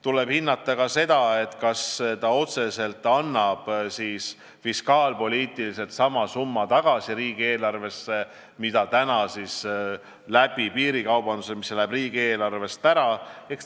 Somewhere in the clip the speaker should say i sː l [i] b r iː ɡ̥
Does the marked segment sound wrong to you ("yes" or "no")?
yes